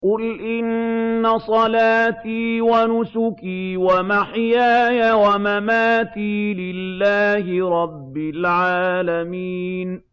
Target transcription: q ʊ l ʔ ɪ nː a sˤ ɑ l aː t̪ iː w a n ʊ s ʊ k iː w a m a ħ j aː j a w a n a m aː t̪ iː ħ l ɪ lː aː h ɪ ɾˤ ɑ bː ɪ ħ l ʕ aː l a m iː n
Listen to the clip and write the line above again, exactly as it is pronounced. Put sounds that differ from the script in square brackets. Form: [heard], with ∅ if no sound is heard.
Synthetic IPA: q ʊ l ʔ ɪ nː a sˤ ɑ l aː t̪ iː w a n ʊ s ʊ k iː w a m a ħ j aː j a w a [m] a m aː t̪ iː [∅] l ɪ lː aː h ɪ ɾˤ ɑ bː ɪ [∅] l ʕ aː l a m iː n